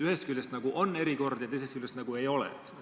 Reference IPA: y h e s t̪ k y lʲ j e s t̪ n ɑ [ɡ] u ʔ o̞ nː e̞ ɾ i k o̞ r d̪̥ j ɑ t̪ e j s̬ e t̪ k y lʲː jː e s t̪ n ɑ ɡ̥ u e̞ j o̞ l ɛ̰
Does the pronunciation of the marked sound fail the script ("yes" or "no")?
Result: no